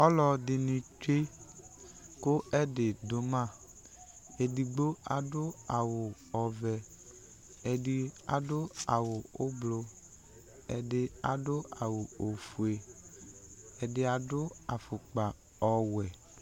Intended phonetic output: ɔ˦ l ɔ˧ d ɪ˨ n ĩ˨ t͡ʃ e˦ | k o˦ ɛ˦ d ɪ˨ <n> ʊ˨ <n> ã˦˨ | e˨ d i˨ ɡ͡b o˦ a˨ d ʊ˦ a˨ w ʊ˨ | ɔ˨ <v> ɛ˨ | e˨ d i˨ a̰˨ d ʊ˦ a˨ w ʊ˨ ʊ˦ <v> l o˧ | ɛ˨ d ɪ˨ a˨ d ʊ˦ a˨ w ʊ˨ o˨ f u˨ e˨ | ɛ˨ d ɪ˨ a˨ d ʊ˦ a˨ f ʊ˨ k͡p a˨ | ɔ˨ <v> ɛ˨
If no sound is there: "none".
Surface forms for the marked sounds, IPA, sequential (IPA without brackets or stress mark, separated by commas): d, m, v, b, w